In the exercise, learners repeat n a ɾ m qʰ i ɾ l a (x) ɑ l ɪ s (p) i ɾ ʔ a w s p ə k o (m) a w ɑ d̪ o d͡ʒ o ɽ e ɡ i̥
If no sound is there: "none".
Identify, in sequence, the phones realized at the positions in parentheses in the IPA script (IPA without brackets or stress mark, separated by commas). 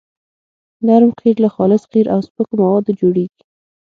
x, q, m